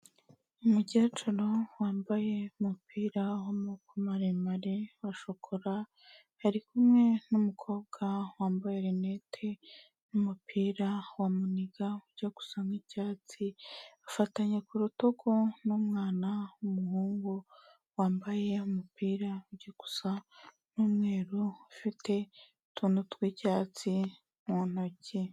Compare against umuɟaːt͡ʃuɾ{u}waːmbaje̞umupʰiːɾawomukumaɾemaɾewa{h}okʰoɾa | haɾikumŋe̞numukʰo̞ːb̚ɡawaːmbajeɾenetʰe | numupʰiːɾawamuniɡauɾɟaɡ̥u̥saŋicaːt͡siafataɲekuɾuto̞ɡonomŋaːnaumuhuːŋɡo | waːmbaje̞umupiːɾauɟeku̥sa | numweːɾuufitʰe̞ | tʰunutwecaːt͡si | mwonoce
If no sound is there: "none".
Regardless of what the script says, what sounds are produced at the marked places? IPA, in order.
o, ʃ

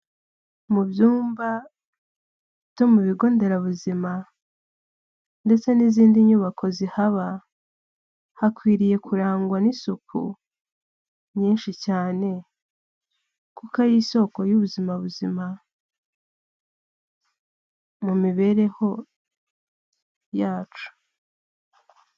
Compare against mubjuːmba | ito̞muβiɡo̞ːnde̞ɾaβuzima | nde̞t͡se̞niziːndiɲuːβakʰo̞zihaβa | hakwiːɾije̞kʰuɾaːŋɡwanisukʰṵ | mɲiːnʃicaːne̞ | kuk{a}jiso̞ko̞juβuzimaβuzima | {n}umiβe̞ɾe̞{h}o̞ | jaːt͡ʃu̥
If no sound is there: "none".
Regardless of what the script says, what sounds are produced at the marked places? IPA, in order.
a, m, h

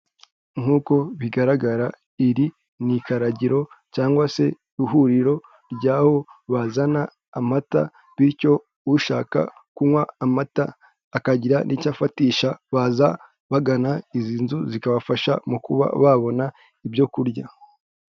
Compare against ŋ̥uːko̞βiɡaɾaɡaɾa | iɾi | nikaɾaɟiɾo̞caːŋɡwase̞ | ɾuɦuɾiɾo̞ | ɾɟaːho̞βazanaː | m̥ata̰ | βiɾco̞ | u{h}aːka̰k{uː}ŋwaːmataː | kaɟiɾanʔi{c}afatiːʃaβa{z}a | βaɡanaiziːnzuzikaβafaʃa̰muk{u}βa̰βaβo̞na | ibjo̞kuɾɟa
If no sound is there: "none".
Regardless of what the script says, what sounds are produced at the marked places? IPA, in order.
ʃ, u, c, z, u

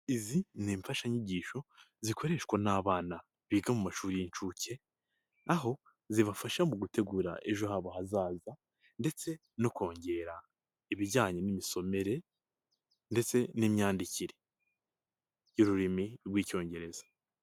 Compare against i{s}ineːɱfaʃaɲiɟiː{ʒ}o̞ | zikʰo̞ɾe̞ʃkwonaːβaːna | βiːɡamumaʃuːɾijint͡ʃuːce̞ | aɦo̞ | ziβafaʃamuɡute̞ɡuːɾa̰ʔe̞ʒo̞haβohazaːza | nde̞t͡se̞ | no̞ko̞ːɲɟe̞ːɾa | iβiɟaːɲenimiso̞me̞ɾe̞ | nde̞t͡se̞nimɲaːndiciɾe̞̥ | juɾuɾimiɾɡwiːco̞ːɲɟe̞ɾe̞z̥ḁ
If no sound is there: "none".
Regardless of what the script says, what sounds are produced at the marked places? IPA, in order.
z, ʃ

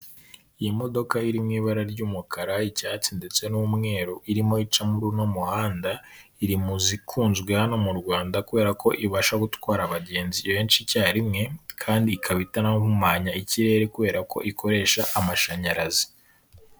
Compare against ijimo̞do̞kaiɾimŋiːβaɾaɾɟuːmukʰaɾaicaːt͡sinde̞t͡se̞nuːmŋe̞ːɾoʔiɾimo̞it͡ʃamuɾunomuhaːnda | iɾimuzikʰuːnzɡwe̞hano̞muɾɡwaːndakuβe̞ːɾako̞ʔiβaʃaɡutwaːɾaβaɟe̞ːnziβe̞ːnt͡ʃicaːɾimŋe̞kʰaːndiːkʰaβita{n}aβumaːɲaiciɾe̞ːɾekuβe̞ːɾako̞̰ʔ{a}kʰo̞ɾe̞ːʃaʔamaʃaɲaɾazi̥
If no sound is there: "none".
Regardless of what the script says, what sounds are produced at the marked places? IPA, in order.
n, i

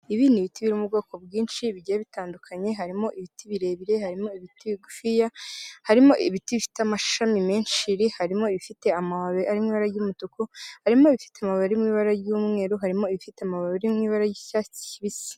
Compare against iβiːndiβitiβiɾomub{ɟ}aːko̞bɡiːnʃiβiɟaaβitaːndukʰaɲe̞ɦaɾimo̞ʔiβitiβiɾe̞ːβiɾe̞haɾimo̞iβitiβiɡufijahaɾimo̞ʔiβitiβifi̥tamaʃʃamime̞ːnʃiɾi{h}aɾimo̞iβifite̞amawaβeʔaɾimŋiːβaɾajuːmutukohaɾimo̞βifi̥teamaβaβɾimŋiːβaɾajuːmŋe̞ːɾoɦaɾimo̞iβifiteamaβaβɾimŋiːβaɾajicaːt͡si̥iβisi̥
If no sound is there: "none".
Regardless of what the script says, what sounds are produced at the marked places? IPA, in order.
ɡ, h

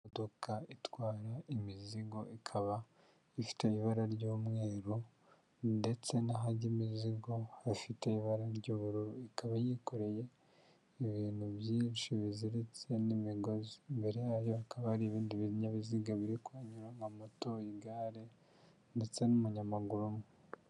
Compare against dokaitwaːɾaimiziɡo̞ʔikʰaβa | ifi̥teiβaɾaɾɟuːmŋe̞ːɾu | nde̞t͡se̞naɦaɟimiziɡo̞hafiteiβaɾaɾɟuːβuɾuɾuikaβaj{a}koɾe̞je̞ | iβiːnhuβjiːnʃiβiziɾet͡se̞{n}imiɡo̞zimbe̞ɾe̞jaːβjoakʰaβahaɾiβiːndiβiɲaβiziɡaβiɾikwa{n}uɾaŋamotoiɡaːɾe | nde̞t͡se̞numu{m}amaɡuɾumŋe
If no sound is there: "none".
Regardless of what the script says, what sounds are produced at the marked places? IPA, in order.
i, n, ɲ, ɲ

